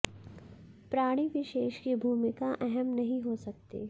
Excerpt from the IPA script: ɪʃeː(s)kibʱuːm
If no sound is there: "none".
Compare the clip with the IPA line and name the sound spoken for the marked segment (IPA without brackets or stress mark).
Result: ʃ